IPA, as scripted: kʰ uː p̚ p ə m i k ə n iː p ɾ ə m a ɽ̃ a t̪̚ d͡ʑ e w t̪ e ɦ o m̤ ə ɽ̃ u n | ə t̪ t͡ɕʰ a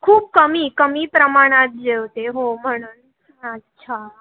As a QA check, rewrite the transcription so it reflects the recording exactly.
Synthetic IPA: kʰ uː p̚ k ə m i k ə m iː p ɾ ə m a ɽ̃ a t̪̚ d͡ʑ e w t̪ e ɦ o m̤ ə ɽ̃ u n | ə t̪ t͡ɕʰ a